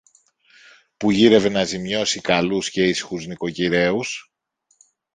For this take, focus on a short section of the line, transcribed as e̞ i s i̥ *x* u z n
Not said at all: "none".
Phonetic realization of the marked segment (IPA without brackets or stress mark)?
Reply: x